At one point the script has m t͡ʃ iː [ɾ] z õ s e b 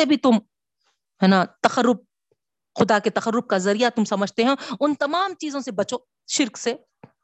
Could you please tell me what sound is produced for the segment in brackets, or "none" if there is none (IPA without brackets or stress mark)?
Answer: none